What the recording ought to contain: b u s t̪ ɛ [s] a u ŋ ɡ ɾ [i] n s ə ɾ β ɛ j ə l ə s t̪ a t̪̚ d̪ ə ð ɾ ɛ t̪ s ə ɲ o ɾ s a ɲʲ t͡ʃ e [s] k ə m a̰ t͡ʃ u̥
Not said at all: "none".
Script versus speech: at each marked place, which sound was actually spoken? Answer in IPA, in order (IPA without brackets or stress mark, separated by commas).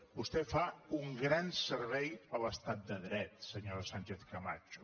f, a, θ